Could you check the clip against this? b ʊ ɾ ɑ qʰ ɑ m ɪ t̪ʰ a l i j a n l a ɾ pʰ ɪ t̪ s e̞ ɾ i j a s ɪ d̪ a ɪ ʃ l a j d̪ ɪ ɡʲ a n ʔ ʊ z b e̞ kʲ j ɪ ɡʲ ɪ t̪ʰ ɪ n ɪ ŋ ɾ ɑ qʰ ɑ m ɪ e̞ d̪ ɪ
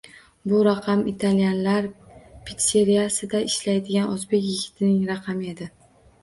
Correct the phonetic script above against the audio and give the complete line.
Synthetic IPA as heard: b ʊ ɾ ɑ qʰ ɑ m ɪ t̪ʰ a l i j a n l a ɾ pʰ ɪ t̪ s e̞ ɾ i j a s ɪ d̪ a ɪ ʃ l a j d̪ ɪ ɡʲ a n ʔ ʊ z b e̞ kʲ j ɪ ɡʲ ɪ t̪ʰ ɪ n ɪ ŋ ɾ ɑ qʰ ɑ m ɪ e̞ d̪ ɪ